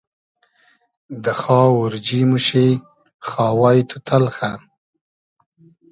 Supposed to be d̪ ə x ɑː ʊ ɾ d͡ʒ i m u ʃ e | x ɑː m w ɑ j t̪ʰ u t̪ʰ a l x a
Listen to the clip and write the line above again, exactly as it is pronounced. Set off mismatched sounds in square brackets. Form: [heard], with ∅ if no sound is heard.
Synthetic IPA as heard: d̪ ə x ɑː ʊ ɾ d͡ʒ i m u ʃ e | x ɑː [∅] w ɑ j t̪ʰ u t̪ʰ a l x a